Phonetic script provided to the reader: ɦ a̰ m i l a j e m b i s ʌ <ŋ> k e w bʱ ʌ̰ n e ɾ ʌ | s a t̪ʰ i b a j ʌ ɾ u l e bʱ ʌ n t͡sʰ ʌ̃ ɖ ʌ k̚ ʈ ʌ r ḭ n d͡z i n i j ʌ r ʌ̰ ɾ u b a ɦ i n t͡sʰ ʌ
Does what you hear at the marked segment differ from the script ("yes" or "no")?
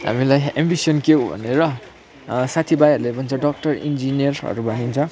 yes